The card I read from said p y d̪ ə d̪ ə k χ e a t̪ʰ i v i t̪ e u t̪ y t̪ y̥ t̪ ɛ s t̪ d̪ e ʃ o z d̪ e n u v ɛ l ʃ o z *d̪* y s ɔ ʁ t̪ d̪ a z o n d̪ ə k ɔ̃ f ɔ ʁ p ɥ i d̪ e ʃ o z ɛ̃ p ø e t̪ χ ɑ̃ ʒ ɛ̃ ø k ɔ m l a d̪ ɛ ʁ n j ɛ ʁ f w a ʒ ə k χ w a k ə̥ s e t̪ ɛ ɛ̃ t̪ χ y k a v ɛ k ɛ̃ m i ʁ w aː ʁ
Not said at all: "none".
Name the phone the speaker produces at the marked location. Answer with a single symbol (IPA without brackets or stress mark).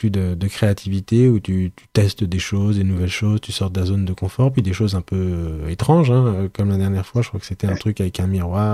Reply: t̪